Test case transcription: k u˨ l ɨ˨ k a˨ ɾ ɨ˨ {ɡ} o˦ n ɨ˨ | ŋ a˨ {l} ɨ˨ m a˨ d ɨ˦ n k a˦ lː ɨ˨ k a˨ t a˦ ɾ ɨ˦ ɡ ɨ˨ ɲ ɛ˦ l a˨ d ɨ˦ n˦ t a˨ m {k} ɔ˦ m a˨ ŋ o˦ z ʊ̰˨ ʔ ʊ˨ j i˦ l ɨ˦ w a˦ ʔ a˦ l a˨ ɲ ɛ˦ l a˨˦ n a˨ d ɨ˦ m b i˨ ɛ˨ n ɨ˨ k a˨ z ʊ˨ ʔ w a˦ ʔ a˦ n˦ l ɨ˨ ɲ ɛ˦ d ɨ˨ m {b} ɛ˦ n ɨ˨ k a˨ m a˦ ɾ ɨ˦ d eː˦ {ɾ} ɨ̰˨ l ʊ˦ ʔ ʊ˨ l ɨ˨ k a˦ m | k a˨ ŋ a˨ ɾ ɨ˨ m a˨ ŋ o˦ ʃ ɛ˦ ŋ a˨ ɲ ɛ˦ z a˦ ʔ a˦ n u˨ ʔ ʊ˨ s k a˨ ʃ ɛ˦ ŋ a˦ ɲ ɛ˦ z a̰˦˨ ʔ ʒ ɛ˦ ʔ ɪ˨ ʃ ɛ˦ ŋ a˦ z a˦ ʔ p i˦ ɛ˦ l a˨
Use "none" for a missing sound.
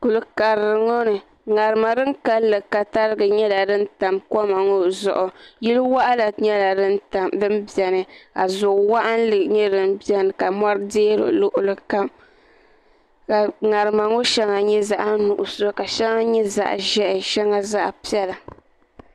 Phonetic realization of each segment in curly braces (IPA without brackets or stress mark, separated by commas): ŋ, ɾ, k, b, ɾ